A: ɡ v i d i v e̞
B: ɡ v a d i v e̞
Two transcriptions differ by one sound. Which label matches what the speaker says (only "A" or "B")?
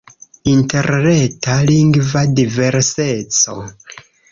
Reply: B